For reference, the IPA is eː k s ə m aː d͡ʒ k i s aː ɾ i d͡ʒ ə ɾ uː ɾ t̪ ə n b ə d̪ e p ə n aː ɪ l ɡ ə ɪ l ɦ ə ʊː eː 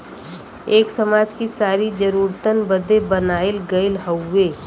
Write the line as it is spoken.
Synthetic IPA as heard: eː k s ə m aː d͡ʒ k i s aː ɾ i d͡ʒ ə ɾ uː ɾ t̪ ə n b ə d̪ e b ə n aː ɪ l ɡ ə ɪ l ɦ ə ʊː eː

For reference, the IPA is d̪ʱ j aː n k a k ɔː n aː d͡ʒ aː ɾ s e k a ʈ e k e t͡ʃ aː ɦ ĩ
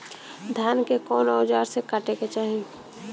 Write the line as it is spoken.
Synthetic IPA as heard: d̪ʱ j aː n k e k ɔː n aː d͡ʒ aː ɾ s e k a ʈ e k e t͡ʃ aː ɦ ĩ

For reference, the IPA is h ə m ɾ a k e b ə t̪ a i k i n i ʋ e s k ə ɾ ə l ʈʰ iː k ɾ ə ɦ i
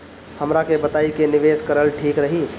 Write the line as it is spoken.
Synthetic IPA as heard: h ə m ɾ a k e b ə t̪ a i k e n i ʋ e s k ə ɾ ə l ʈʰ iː k ɾ ə ɦ i

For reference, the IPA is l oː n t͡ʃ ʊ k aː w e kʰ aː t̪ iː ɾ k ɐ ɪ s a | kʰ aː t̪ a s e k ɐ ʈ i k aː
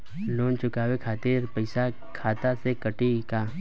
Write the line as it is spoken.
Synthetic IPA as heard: l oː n t͡ʃ ʊ k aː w e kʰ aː t̪ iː ɾ p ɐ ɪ s a | kʰ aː t̪ a s e k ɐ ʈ i k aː

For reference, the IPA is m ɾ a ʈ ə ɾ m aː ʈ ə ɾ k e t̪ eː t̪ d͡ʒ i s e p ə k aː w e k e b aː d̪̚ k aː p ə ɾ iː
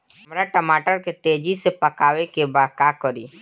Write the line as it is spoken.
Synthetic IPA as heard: m ɾ a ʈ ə m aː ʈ ə ɾ k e t̪ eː d͡ʒ i s e p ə k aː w e k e b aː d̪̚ k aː k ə ɾ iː

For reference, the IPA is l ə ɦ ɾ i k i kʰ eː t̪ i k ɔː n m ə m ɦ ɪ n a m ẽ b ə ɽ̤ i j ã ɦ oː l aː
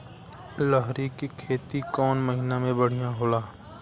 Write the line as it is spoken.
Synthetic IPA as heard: l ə ɦ ɾ i k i kʰ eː t̪ i k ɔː n m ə ɦ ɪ n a m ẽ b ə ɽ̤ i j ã ɦ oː l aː

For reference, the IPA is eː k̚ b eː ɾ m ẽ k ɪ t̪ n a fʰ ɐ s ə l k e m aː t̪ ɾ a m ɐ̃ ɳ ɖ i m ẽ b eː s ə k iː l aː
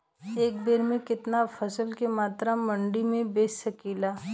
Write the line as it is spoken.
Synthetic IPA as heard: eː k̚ b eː ɾ m ẽ k ɪ t̪ n a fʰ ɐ s ə l k e m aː t̪ ɾ a m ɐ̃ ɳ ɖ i m ẽ b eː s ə k iː l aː

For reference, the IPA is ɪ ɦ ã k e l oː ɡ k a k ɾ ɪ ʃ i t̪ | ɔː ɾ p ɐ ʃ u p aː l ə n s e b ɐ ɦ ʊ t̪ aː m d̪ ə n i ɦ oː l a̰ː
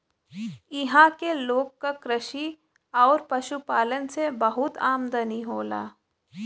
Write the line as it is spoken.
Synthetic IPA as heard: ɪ ɦ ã k e l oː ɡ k a k ɾ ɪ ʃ i | ɔː ɾ p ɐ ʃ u p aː l ə n s e b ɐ ɦ ʊ t̪ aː m d̪ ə n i ɦ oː l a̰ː

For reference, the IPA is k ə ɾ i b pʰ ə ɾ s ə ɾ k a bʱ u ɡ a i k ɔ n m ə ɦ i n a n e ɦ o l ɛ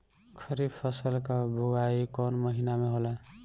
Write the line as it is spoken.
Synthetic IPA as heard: kʰ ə ɾ i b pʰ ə s ə l k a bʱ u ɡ a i k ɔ n m ə ɦ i n a m e ɦ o l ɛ

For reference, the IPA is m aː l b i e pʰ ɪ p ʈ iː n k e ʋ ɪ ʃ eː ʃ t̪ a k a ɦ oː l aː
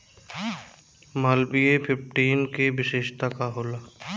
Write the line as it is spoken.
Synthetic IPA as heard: m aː l b i e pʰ ɪ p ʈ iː n k e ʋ ɪ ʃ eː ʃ t̪ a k a ɦ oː l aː

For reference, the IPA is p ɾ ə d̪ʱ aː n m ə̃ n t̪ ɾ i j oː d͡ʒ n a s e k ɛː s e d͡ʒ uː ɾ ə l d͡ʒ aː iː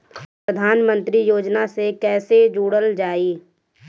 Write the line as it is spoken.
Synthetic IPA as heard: p ɾ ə d̪ʱ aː n m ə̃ n t̪ ɾ i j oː d͡ʒ n a s e k ɛː s e d͡ʒ uː ɽ ə l d͡ʒ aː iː

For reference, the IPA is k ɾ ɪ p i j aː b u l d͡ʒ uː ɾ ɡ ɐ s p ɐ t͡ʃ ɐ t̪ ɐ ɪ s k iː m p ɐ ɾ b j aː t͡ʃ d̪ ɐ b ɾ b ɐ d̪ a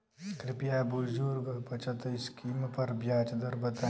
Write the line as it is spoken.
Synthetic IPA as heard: k ɾ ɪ p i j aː b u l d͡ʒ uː ɾ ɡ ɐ p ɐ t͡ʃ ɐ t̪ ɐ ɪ s k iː m p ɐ ɾ b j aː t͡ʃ d̪ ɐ ɾ b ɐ t̪ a

